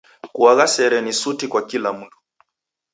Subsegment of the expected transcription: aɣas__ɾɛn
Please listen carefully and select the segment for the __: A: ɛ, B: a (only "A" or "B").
A